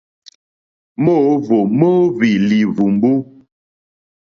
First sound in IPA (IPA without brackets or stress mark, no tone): m